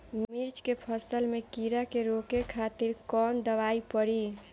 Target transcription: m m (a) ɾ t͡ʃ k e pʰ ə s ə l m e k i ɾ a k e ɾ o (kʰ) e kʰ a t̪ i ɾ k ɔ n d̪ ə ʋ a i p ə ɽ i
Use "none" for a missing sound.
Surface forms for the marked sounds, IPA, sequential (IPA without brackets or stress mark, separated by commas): i, k